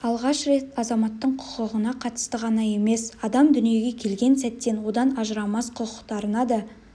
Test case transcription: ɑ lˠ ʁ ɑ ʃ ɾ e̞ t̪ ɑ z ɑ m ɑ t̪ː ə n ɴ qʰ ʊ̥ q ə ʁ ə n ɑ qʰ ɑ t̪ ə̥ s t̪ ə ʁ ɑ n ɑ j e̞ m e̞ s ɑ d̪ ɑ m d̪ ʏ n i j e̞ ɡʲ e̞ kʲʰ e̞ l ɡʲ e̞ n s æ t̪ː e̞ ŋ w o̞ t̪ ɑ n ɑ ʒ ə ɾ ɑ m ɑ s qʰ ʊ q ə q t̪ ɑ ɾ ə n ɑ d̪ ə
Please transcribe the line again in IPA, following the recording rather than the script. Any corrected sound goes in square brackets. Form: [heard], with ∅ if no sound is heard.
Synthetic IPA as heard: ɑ lˠ ʁ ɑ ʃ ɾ e̞ t̪ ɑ z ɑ m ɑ t̪ː ə [∅] ɴ qʰ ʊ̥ q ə ʁ ə n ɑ qʰ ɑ t̪ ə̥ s t̪ ə ʁ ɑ n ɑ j e̞ m e̞ s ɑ d̪ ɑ m d̪ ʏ n i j e̞ ɡʲ e̞ kʲʰ e̞ l ɡʲ e̞ n s æ t̪ː e̞ [n] w o̞ [d̪] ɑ n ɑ ʒ ə ɾ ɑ m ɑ s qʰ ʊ q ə q t̪ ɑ ɾ ə n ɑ d̪ ə

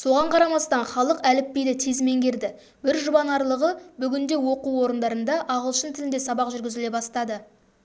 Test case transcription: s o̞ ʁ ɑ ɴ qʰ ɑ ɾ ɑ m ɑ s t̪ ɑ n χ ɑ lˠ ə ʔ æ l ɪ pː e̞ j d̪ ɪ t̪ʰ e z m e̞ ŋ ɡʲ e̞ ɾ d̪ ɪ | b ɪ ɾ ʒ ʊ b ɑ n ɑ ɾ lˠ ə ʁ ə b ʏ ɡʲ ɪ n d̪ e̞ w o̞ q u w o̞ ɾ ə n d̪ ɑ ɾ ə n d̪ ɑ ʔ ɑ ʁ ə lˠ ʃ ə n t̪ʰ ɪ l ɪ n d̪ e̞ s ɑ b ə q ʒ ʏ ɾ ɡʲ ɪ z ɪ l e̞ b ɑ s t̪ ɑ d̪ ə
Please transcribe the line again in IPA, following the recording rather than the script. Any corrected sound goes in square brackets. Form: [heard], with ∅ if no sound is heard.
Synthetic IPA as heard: s o̞ ʁ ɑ ɴ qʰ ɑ ɾ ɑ m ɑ s t̪ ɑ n χ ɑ lˠ ə [q] æ l ɪ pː e̞ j d̪ ɪ t̪ʰ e z m e̞ ŋ ɡʲ e̞ ɾ d̪ ɪ | b ɪ ɾ ʒ ʊ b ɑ n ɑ ɾ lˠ ə ʁ ə b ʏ ɡʲ ɪ n d̪ e̞ w o̞ q u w o̞ ɾ ə n d̪ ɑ ɾ ə n d̪ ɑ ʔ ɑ ʁ ə lˠ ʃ ə n t̪ʰ ɪ l ɪ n d̪ e̞ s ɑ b [ɑ] q ʒ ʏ ɾ ɡʲ ɪ z ɪ l e̞ b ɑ s t̪ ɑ d̪ ə

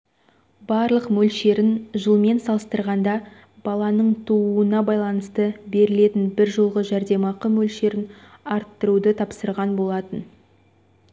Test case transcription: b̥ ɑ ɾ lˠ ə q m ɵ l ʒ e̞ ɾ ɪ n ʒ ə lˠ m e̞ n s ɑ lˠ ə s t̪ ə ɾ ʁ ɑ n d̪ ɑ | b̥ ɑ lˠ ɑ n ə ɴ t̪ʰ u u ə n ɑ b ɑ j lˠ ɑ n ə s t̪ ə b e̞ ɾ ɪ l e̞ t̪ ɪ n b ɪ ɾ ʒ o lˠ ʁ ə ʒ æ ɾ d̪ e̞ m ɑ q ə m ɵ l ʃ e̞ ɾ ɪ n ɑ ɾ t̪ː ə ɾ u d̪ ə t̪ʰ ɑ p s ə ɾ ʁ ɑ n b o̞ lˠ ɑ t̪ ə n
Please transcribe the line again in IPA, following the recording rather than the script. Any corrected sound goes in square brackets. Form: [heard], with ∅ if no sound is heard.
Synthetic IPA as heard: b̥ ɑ ɾ lˠ ə q m ɵ l [ʃ] e̞ ɾ ɪ n ʒ ə lˠ m e̞ n s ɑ lˠ ə s t̪ ə ɾ ʁ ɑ n d̪ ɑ | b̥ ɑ lˠ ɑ n ə ɴ t̪ʰ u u ə n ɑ b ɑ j lˠ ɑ n ə s t̪ ə b e̞ ɾ ɪ l e̞ t̪ ɪ n b ɪ ɾ ʒ o lˠ ʁ ə ʒ æ ɾ d̪ e̞ m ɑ q ə m ɵ l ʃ e̞ ɾ ɪ n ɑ ɾ t̪ː ə ɾ u d̪ ə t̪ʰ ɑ p s ə ɾ ʁ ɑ n b o̞ lˠ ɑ t̪ ə n

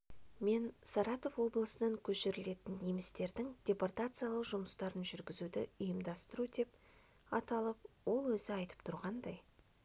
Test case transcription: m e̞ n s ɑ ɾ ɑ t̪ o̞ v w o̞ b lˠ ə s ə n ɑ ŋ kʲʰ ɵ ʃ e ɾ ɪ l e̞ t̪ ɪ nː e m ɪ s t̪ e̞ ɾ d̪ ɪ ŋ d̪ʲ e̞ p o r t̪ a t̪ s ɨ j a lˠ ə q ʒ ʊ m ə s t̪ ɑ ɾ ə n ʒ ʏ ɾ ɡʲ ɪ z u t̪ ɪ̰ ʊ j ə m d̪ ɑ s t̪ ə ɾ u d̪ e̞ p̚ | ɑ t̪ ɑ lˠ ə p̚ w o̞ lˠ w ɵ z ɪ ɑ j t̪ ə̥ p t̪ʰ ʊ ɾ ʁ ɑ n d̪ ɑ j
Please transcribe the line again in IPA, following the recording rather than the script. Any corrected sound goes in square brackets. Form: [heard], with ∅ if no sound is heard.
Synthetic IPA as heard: m e̞ n s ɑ ɾ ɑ t̪ o̞ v w o̞ b lˠ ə s ə n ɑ ŋ kʲʰ ɵ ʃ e ɾ ɪ l e̞ t̪ ɪ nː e m ɪ s t̪ e̞ ɾ d̪ ɪ ŋ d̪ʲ e̞ p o r t̪ a t̪ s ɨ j a lˠ ə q ʒ ʊ m ə s t̪ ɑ ɾ ə n ʒ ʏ ɾ ɡʲ ɪ z u [d̪] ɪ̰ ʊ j ə m d̪ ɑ s t̪ ə ɾ u d̪ e̞ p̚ | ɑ t̪ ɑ lˠ ə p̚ w o̞ lˠ w ɵ z ɪ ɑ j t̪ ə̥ p t̪ʰ ʊ ɾ ʁ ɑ n d̪ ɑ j

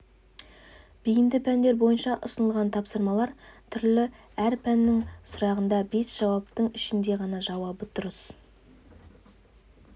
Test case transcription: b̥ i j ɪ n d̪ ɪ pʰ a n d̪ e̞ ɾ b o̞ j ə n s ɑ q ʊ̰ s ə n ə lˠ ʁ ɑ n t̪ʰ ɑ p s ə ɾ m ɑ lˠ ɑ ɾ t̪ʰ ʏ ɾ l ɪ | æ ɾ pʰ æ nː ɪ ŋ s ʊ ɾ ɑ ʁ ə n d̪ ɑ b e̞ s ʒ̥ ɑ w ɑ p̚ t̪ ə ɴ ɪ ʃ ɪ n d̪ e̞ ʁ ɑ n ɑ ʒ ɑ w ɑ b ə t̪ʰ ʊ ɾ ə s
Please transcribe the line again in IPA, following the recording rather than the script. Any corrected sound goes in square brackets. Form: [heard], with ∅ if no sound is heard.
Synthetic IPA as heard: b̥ i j ɪ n d̪ ɪ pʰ [æ] n d̪ e̞ ɾ b o̞ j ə n [ʃ] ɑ [ʔ] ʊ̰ s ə n ə lˠ ʁ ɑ n t̪ʰ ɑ p s ə ɾ m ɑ lˠ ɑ ɾ t̪ʰ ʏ ɾ l ɪ | æ ɾ pʰ æ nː ɪ ŋ s ʊ ɾ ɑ ʁ ə n d̪ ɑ b e̞ s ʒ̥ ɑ w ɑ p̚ t̪ ə ɴ ɪ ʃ ɪ n d̪ e̞ ʁ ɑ n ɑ ʒ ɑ w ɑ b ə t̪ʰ ʊ ɾ ə s

